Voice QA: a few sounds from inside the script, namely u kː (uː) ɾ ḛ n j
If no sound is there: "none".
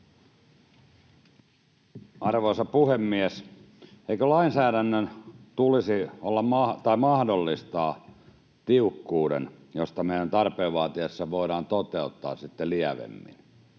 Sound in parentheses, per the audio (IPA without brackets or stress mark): uː